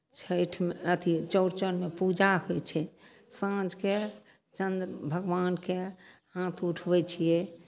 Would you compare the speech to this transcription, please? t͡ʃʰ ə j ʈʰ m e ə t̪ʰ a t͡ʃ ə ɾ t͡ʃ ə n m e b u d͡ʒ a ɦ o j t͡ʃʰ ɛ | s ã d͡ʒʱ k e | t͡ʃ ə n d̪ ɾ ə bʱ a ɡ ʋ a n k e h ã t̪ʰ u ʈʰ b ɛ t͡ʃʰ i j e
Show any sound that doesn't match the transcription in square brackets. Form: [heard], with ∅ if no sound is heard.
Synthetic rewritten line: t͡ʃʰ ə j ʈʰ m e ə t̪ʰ [i] t͡ʃ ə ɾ t͡ʃ ə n m e [p] u d͡ʒ a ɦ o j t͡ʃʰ ɛ | s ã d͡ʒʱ k e | t͡ʃ ə n d̪ ɾ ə bʱ [ə] ɡ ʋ a n k e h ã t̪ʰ u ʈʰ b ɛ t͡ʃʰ i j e

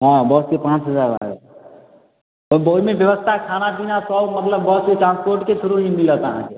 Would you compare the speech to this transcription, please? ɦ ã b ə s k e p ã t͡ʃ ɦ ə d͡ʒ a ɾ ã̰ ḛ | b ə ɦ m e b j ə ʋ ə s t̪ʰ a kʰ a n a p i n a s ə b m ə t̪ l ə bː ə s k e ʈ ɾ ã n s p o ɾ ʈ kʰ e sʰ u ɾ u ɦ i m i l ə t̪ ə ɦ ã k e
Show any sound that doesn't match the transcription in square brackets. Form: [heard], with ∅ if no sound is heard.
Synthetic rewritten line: ɦ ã b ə s k e p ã t͡ʃ ɦ ə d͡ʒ a ɾ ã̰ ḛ | b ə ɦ m e b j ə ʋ ə s t̪ʰ a kʰ a n a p i n a s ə b m ə t̪ l ə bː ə s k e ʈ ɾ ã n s p o ɾ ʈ [k] e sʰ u ɾ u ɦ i m i l ə t̪ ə ɦ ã k e

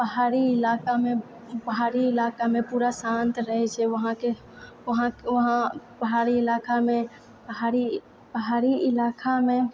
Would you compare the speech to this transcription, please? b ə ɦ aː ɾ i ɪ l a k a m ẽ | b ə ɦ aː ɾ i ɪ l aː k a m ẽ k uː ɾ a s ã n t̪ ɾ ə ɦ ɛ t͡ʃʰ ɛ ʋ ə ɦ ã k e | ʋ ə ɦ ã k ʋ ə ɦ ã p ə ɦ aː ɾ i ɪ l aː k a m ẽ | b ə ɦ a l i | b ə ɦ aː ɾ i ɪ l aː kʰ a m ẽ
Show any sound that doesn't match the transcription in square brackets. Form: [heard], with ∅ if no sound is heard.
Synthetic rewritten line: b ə ɦ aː ɾ i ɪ l a k a m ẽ | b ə ɦ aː ɾ i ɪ l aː k a m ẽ [p] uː ɾ a s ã n t̪ ɾ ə ɦ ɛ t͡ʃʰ ɛ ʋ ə ɦ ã k e | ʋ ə ɦ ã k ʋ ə ɦ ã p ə ɦ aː ɾ i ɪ l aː k a m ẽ | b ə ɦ a [ɾ] i | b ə ɦ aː ɾ i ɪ l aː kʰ a m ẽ

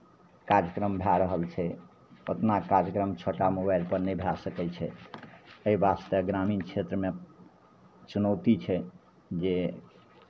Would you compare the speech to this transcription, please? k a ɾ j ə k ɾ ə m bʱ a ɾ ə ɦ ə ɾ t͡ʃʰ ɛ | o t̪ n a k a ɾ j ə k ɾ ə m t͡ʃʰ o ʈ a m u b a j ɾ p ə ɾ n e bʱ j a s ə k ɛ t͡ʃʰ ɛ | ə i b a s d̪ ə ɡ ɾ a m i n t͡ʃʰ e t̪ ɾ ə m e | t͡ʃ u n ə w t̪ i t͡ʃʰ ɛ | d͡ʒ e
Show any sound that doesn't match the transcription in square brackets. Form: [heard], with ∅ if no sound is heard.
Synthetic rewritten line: k a ɾ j ə k ɾ ə m bʱ a ɾ ə ɦ ə [l] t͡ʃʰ ɛ | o t̪ n a k a ɾ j ə k ɾ ə m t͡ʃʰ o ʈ a m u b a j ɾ p ə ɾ n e bʱ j a s ə k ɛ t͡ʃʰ ɛ | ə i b a s [t̪] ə ɡ ɾ a m i n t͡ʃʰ e t̪ ɾ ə m e | t͡ʃ u n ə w t̪ i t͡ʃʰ ɛ | d͡ʒ e

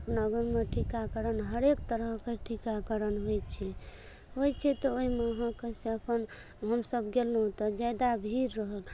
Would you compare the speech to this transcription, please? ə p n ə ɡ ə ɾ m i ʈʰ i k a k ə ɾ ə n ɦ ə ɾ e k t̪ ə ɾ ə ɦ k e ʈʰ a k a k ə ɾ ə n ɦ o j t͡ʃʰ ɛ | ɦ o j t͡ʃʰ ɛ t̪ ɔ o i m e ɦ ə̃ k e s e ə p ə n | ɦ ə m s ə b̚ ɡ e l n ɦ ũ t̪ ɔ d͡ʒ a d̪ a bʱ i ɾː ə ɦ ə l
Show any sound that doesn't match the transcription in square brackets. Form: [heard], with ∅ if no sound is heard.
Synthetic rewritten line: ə p n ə ɡ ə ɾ m [e] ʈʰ i k a k ə ɾ ə n ɦ ə ɾ e k t̪ ə ɾ ə ɦ k e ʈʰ [i] k a k ə ɾ ə n ɦ o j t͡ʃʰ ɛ | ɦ o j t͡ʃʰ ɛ t̪ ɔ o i m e ɦ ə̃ k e s e ə p ə n | ɦ ə m s ə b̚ ɡ e l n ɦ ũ t̪ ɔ d͡ʒ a d̪ a bʱ i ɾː ə ɦ ə l

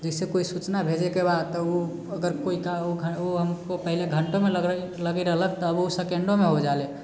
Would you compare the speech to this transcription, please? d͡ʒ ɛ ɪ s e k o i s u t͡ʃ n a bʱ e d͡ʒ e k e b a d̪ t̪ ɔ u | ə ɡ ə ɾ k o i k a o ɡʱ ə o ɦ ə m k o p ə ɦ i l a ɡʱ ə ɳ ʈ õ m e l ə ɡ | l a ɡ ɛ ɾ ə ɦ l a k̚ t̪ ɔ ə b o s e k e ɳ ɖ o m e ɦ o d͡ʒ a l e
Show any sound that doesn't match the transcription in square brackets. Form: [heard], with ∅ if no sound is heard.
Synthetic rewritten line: d͡ʒ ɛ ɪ s e k o i s u t͡ʃ n a bʱ e d͡ʒ e k e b a d̪ t̪ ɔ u | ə ɡ ə ɾ k o i k a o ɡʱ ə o ɦ ə m k o p ə ɦ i l [e] ɡʱ ə ɳ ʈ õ m e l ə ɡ | l [ə] ɡ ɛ ɾ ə ɦ l [ə] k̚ t̪ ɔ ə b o s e k e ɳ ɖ o m e ɦ o d͡ʒ a l e

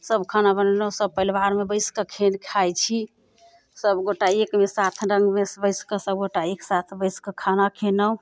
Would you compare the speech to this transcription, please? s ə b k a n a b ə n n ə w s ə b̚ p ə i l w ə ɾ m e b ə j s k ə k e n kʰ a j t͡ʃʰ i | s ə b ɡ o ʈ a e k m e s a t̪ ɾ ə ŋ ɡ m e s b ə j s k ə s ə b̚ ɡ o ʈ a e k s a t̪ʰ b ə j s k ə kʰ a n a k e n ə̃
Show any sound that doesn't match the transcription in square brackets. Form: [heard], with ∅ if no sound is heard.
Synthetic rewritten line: s ə b [kʰ] a n a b ə n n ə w s ə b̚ p ə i l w [a] ɾ m e b ə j s k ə [kʰ] e n kʰ a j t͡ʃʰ i | s ə b ɡ o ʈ a e k m e s a [t̪ʰ] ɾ ə ŋ ɡ m e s b ə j s k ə s ə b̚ ɡ o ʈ a e k s a t̪ʰ b ə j s k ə kʰ a n a [kʰ] e n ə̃

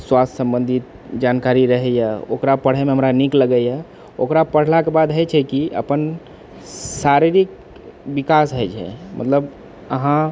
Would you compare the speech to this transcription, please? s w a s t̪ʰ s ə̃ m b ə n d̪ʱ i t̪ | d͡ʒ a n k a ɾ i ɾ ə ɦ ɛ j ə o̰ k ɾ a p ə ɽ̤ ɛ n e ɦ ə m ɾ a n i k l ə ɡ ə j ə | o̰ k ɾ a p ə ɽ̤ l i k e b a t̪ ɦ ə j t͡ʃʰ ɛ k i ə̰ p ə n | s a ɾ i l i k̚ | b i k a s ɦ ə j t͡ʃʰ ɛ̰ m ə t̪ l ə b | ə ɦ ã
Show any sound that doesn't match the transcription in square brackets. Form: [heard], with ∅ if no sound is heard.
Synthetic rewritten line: s w a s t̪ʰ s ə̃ m b ə n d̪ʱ i t̪ | d͡ʒ a n k a ɾ i ɾ ə ɦ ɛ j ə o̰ k ɾ a p ə ɽ̤ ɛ [m] e ɦ ə m ɾ a n i k l ə ɡ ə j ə | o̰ k ɾ a p ə ɽ̤ l [a] k e b a [d̪] ɦ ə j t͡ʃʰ ɛ k i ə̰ p ə n | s a ɾ i [ɾ] i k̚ | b i k a s ɦ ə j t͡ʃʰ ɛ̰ m ə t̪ l ə b | ə ɦ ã

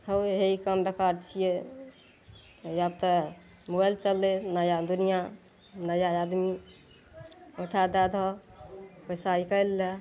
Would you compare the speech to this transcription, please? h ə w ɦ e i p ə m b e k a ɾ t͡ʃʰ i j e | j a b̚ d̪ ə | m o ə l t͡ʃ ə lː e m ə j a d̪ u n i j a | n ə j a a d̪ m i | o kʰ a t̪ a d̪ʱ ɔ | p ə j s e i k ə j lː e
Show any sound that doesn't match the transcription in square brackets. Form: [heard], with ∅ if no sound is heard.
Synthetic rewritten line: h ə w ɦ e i [k] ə m b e k a ɾ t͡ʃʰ i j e | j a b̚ [t̪] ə | m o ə l t͡ʃ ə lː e [n] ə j a d̪ u n i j a | n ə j a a d̪ m i | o [ʈʰ] a [d̪] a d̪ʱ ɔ | p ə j s [a] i k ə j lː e

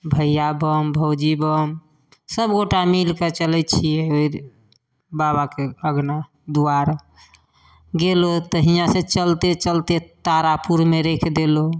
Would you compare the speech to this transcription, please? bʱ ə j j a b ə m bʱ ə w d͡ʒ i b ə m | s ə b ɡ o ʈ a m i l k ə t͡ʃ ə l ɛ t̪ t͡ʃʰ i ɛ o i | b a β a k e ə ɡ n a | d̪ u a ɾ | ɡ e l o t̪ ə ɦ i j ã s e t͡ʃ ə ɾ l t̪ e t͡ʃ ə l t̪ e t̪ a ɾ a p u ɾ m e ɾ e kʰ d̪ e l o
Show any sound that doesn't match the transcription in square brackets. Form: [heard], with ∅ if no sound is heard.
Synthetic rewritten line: bʱ ə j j a b ə m bʱ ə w d͡ʒ i b ə m | s ə b ɡ o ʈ a m i l k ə t͡ʃ ə l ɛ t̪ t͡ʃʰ i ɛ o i | b a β a k e ə ɡ n a | d̪ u a ɾ | ɡ e l o t̪ ə ɦ i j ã s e t͡ʃ ə [∅] l t̪ e t͡ʃ ə l t̪ e t̪ a ɾ a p u ɾ m e ɾ e kʰ d̪ e l o

